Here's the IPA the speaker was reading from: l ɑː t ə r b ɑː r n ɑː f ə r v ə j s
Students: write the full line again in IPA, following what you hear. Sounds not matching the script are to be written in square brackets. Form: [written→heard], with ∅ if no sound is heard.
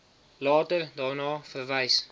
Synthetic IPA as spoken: l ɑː t ə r [b→d] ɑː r n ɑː f ə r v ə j s